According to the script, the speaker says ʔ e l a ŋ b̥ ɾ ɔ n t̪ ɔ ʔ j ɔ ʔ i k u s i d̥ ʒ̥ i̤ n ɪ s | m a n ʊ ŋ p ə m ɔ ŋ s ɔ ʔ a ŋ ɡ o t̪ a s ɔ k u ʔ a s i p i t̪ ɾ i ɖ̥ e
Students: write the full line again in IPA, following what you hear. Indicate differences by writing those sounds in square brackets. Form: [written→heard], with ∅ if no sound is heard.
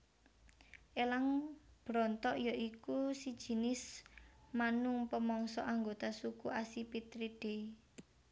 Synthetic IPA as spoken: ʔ e l a ŋ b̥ ɾ ɔ n t̪ ɔ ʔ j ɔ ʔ i k u s i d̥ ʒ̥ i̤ n ɪ s | m a n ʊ ŋ p ə m ɔ ŋ s ɔ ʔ a ŋ ɡ o t̪ a s [ɔ→u] k u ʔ a s i p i t̪ ɾ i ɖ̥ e